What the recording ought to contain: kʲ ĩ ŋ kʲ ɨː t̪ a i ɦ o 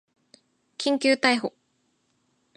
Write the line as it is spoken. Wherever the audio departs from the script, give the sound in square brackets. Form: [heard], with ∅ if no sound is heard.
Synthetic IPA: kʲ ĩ ŋ kʲ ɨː t̪ a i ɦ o